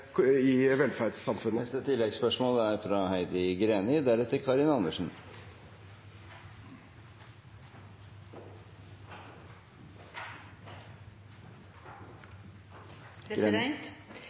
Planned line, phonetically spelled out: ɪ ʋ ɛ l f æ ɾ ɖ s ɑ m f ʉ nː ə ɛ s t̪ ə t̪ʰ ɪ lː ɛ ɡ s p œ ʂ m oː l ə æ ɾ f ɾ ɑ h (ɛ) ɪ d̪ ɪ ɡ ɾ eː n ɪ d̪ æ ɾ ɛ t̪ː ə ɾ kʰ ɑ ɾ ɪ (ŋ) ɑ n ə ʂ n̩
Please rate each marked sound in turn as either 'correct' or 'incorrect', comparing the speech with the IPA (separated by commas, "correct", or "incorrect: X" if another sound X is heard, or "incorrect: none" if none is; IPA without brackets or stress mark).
incorrect: æ, incorrect: n